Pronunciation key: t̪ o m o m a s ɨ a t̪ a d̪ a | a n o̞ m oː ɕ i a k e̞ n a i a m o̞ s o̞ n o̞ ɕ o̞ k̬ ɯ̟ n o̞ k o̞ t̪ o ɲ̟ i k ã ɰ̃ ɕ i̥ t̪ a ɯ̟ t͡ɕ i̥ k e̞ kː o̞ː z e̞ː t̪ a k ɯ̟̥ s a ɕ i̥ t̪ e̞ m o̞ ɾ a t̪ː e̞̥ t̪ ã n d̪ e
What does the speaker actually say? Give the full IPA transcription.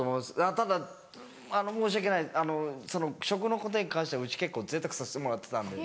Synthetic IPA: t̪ o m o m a s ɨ a t̪ a d̪ a | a n o̞ m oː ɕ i a k e̞ n a i a n o̞ s o̞ n o̞ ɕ o̞ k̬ ɯ̟ n o̞ k o̞ t̪ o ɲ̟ i k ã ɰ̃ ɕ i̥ t̪ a ɯ̟ t͡ɕ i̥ k e̞ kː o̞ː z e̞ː t̪ a k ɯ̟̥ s a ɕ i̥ t̪ e̞ m o̞ ɾ a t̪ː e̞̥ t̪ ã n d̪ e